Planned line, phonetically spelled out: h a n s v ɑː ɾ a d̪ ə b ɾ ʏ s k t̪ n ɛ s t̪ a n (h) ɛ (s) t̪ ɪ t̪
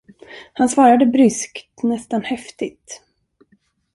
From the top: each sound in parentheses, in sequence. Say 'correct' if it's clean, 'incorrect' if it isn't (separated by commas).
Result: correct, incorrect